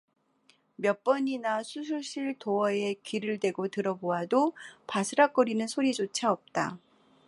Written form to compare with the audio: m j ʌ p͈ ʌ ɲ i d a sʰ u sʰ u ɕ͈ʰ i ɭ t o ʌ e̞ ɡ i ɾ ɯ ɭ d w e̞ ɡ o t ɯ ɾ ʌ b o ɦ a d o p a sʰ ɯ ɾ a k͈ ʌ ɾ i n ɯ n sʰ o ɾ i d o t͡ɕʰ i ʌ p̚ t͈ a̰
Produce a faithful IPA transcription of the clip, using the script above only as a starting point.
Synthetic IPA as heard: m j ʌ p͈ ʌ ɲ i n a sʰ u sʰ u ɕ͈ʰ i ɭ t o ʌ e̞ k i ɾ ɯ ɭ d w e̞ ɡ o t ɯ ɾ ʌ b o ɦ a d o p a sʰ ɯ ɾ a k͈ ʌ ɾ i n ɯ n sʰ o ɾ i d͡ʑ o t͡ɕʰ a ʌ p̚ t͈ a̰

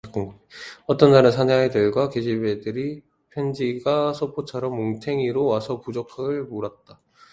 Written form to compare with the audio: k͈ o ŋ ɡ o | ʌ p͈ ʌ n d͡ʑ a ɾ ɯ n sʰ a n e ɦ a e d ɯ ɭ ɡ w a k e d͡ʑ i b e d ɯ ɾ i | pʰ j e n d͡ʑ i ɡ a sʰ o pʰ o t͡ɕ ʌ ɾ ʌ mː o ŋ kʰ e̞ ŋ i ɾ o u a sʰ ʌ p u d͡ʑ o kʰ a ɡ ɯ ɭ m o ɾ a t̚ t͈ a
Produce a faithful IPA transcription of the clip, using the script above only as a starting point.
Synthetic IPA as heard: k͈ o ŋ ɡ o | ʌ t͈ ʌ n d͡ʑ a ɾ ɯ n sʰ a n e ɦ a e d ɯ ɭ ɡ w a k e d͡ʑ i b e d ɯ ɾ i | pʰ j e n d͡ʑ i ɡ a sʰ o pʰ o t͡ɕʰ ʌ ɾ ʌ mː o ŋ tʰ e̞ ŋ i ɾ o w a sʰ ʌ p u d͡ʑ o kʰ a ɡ ɯ ɭ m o ɾ a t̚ t͈ a

